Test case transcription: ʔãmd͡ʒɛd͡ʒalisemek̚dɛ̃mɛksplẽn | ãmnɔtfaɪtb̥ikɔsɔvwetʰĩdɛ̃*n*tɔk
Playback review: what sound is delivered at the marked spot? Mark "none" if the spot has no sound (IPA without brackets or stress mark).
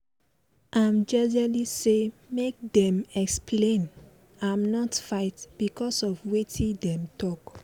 m